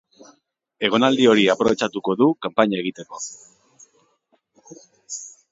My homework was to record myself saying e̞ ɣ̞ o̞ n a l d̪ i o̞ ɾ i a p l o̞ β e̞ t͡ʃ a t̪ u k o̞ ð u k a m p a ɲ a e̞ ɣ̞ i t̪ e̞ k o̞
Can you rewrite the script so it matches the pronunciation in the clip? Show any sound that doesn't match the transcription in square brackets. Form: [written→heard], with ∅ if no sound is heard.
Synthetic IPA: e̞ ɣ̞ o̞ n a l d̪ i o̞ ɾ i a p [l→ɾ] o̞ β e̞ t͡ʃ a t̪ u k o̞ ð u k a m p a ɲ a e̞ ɣ̞ i t̪ e̞ k o̞